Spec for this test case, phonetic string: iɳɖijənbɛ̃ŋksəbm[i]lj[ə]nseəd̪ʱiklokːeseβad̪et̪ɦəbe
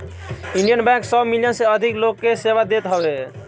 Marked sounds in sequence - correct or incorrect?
correct, correct

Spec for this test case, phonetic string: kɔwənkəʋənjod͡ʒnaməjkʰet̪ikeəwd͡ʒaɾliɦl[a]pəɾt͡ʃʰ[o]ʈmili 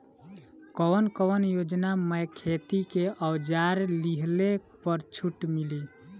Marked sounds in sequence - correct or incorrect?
incorrect: e, incorrect: u

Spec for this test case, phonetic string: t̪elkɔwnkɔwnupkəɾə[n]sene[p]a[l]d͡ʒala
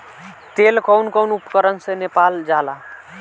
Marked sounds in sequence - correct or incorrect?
correct, correct, correct

